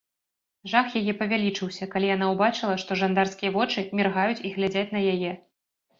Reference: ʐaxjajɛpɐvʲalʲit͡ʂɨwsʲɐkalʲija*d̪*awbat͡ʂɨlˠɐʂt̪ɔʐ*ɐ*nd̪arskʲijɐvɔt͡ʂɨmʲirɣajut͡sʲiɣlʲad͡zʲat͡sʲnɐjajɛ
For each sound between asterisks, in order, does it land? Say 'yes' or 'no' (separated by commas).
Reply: no, no